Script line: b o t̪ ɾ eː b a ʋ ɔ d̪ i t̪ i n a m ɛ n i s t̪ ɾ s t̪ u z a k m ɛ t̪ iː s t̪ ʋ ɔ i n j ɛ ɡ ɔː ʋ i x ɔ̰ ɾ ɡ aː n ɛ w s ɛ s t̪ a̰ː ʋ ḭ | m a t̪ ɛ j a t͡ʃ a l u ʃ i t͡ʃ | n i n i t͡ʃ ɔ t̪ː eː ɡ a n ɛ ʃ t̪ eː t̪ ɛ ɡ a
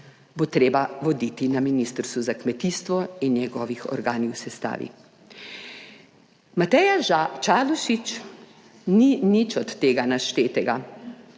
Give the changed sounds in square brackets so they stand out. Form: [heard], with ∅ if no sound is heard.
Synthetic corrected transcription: b o t̪ ɾ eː b a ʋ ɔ d̪ i t̪ i n a m [i] n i s t̪ ɾ s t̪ u z a k m ɛ t̪ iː s t̪ ʋ ɔ i n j ɛ ɡ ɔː ʋ i x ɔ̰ ɾ ɡ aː n [i] w s ɛ s t̪ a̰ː ʋ ḭ | m a t̪ ɛ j a t͡ʃ a l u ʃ i t͡ʃ | n i n i t͡ʃ ɔ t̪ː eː ɡ a n [a] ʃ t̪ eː t̪ ɛ ɡ a